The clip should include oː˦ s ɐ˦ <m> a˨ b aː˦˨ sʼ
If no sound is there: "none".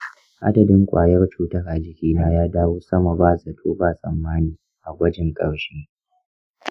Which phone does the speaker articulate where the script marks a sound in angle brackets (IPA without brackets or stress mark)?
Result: m